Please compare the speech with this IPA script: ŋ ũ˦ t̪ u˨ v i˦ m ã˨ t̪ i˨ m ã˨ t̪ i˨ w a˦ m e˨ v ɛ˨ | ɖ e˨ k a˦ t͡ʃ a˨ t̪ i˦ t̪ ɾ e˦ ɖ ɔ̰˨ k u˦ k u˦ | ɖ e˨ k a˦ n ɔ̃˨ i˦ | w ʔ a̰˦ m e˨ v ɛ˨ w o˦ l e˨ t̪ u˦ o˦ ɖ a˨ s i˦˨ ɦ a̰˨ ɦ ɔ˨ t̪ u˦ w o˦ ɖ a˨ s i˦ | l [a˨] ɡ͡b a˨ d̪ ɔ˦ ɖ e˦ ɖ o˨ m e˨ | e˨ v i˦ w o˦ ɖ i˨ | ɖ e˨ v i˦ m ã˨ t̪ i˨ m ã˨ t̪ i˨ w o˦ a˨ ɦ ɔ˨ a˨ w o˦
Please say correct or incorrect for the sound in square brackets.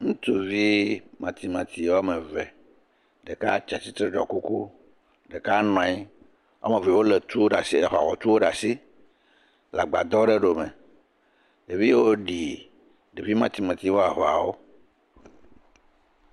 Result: correct